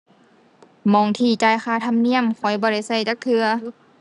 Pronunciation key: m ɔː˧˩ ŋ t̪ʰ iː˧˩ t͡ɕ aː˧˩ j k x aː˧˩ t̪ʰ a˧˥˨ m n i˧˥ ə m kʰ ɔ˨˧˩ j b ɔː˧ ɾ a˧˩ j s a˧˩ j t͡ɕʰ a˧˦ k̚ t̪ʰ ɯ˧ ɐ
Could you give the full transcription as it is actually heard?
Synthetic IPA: m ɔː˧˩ ŋ t̪ʰ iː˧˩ t͡ɕ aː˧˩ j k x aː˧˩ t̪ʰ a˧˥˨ m n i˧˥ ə m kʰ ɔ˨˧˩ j b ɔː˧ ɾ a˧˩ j s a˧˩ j t͡ɕ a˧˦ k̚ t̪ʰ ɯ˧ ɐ

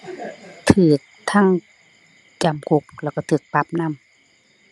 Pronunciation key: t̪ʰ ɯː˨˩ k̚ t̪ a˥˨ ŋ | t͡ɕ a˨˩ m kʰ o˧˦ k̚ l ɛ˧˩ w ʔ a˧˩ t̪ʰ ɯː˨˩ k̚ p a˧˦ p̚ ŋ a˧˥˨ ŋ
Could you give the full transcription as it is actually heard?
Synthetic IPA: t̪ʰ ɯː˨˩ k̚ t̪ʰ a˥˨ ŋ | t͡ɕ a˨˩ m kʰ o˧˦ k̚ l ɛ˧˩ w k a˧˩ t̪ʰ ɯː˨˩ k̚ p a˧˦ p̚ n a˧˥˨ m

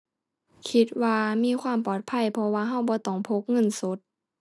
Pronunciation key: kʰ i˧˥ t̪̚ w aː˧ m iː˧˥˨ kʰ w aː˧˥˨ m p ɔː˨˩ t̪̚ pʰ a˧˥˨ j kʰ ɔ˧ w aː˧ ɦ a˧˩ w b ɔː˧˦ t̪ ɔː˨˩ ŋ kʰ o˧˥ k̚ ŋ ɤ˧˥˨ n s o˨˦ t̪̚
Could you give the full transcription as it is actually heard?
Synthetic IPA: kʰ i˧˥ t̪̚ w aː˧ m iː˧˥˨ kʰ w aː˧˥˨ m p ɔː˨˩ t̪̚ pʰ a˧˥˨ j pʰ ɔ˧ w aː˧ ɦ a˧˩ w b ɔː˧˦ t̪ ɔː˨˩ ŋ pʰ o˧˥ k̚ ŋ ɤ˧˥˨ n s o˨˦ t̪̚

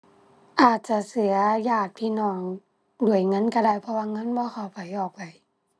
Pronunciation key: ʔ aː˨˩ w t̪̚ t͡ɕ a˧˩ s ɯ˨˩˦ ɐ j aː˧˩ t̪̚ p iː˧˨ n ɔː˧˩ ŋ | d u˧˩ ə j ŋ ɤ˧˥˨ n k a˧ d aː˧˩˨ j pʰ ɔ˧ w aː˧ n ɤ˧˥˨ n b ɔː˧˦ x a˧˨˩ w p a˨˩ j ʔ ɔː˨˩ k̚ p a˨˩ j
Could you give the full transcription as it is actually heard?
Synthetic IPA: ʔ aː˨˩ t̪̚ t͡ɕ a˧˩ s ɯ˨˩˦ ɐ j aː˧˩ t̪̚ pʰ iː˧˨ n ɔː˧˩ ŋ | d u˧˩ ə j ŋ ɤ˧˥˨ n k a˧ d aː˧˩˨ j pʰ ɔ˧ w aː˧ ŋ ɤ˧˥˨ n b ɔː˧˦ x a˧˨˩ w p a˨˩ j ʔ ɔː˨˩ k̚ p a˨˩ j

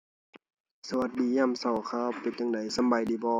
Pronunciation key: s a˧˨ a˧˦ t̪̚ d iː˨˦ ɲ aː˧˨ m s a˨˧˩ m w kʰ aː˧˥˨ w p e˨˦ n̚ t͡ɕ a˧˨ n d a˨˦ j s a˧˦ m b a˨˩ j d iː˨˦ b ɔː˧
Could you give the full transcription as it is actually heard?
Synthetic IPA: s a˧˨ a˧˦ t̪̚ d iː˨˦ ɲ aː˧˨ m s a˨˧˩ w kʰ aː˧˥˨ w p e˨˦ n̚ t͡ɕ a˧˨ ŋ d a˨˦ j s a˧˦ m b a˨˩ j d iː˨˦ b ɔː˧

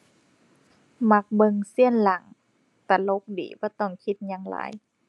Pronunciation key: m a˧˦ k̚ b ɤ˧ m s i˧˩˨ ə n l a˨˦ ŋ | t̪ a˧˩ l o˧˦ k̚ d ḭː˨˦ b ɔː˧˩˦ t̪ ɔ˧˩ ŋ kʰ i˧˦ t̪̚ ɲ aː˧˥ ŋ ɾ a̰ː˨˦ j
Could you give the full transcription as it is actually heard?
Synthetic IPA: m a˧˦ k̚ b ɤ˧ ŋ s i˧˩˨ ə n l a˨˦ ŋ | t̪ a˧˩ l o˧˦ k̚ d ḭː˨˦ b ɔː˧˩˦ t̪ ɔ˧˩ ŋ kʰ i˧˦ t̪̚ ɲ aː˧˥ ŋ l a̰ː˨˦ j

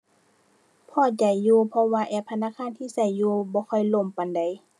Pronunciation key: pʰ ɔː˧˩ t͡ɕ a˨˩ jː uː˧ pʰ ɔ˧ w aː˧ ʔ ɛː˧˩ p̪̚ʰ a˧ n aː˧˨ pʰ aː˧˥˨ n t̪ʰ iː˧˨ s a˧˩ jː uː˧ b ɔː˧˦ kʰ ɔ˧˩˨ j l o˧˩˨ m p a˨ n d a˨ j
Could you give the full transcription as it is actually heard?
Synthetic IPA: pʰ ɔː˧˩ t͡ɕ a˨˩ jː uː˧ pʰ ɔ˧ w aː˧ ʔ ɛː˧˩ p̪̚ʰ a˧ n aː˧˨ kʰ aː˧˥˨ n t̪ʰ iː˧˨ s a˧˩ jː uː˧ b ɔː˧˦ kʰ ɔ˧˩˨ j l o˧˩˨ m p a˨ n d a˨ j

